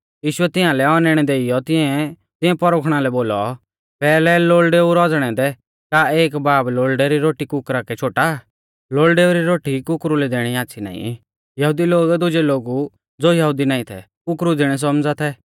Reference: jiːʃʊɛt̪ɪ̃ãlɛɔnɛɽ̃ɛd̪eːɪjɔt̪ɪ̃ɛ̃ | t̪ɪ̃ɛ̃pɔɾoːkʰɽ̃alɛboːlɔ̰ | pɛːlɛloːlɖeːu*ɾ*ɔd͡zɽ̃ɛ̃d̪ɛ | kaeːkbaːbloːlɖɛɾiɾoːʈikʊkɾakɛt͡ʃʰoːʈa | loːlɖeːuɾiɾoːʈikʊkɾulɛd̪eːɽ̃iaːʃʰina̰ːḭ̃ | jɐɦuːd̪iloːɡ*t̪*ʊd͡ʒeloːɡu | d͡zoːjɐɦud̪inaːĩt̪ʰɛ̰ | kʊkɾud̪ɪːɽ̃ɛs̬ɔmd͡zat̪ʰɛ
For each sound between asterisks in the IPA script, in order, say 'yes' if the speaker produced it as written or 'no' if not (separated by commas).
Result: yes, no